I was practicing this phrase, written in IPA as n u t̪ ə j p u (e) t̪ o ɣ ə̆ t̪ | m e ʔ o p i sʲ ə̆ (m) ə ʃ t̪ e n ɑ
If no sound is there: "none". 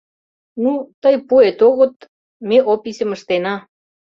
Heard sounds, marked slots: e, m

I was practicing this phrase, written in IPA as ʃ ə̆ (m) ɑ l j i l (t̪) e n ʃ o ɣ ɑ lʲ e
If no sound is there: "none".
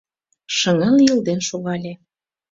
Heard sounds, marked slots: ŋ, d̪

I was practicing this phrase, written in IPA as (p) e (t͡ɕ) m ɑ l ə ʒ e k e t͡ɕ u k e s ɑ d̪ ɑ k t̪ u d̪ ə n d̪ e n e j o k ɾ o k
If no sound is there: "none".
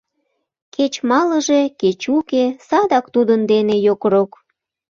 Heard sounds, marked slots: k, t͡ɕ

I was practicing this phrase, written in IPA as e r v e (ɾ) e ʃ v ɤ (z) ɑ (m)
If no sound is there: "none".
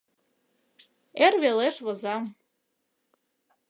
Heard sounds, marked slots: l, z, m

